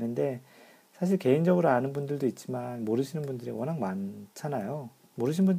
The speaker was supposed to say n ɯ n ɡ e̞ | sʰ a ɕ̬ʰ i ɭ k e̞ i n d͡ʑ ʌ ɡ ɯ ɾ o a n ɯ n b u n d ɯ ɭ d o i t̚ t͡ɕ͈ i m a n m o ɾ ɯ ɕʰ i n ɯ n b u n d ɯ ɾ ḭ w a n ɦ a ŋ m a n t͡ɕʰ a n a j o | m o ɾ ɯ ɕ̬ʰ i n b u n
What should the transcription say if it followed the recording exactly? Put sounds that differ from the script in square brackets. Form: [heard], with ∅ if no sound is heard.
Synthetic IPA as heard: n ɯ n [d] e̞ | sʰ a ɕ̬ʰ i ɭ k e̞ i n d͡ʑ ʌ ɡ ɯ ɾ o a n ɯ n b u n d ɯ ɭ d o i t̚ t͡ɕ͈ i m a n m o ɾ ɯ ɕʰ i n ɯ n b u n d ɯ ɾ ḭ w [ʌ] n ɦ a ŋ m a n t͡ɕʰ a n a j o | m o ɾ ɯ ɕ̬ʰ i n b u n